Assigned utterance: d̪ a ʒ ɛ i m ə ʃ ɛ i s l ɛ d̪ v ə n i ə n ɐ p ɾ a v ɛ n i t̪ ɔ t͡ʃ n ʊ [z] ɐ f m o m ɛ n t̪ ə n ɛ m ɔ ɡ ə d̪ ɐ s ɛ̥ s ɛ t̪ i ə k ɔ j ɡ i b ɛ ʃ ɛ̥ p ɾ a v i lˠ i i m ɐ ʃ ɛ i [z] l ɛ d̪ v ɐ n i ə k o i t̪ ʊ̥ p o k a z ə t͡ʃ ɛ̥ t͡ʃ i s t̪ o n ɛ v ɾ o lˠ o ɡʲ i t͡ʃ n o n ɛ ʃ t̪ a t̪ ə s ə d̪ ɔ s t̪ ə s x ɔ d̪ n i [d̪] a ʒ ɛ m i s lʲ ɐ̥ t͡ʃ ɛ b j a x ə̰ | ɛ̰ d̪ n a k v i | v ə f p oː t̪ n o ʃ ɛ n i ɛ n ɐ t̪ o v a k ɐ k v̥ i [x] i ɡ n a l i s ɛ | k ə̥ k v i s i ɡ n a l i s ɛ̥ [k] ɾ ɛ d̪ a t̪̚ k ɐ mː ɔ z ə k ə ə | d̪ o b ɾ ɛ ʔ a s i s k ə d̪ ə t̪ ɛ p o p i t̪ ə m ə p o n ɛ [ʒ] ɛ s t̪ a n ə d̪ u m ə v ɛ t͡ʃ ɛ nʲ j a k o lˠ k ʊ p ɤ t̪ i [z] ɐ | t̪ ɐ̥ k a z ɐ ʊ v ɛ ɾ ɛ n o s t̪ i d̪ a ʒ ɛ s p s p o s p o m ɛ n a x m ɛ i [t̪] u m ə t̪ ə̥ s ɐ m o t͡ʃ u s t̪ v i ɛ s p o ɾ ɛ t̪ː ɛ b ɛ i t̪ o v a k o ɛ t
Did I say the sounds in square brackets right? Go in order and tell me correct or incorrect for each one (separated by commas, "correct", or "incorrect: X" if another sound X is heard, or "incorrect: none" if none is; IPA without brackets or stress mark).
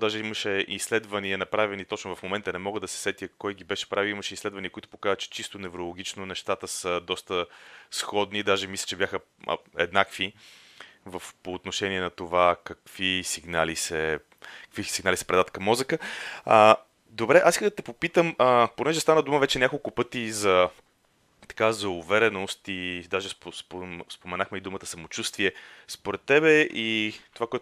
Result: incorrect: v, incorrect: s, correct, incorrect: s, incorrect: p, correct, correct, incorrect: d̪